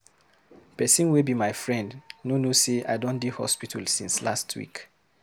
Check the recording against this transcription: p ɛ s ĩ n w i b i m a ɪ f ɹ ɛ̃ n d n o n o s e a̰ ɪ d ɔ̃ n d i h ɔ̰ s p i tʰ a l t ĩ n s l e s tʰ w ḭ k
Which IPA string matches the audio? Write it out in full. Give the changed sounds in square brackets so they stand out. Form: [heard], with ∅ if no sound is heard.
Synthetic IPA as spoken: p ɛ s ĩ n w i b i m a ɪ f ɹ ɛ̃ n d n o n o s e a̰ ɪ d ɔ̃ n d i h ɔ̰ s p i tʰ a l [s] ĩ n s l [a] s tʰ w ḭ k